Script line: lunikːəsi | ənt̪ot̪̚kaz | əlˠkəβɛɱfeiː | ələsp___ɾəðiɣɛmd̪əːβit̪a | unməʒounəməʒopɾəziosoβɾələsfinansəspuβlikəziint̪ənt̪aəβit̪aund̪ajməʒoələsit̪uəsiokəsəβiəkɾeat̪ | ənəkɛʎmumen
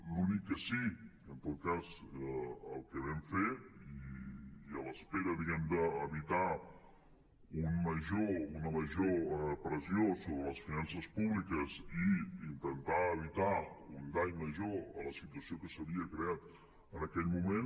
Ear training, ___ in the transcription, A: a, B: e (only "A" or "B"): B